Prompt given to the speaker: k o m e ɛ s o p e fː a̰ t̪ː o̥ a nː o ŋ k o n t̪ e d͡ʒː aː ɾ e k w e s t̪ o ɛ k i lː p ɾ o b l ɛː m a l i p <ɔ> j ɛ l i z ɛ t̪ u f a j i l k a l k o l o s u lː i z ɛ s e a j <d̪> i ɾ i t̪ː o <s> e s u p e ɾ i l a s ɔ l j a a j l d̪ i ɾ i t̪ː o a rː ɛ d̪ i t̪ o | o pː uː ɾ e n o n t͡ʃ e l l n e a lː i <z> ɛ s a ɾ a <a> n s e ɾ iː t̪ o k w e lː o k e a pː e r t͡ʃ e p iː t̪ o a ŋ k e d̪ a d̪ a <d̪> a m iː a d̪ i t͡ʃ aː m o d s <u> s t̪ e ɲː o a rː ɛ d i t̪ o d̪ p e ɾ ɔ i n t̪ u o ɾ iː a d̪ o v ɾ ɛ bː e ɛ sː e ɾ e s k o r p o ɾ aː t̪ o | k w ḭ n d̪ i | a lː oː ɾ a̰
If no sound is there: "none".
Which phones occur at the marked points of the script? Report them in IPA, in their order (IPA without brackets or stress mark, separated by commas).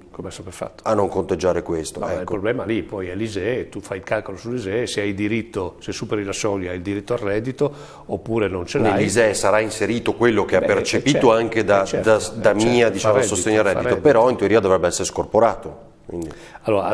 ɔ, d̪, s, z, i, d̪, o